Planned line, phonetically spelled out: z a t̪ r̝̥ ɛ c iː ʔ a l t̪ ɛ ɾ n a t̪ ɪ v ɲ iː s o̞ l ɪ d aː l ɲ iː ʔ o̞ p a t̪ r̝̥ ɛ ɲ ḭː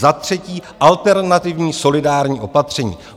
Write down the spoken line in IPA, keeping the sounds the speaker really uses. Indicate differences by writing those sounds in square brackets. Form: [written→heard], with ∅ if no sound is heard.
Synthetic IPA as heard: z a t̪ r̝̥ ɛ c iː ʔ a l t̪ ɛ ɾ n a t̪ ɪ v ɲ iː s o̞ l ɪ d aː [l→ɾ] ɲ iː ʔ o̞ p a t̪ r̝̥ ɛ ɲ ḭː